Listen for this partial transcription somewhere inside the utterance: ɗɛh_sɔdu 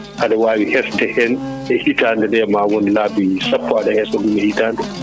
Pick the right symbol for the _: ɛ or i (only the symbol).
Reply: ɛ